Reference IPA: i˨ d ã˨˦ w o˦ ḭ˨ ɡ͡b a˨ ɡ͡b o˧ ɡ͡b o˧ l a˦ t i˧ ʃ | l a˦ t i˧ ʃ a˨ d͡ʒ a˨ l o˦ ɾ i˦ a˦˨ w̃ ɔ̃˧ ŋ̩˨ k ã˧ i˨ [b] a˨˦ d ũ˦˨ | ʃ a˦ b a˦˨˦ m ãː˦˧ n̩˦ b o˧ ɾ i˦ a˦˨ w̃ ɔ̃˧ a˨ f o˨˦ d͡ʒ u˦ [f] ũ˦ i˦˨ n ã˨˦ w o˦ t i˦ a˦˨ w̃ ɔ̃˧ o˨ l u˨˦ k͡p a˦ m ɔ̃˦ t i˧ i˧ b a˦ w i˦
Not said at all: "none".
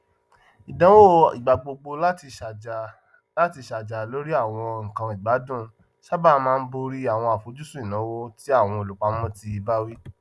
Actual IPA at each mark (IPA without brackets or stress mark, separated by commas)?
ɡ͡b, s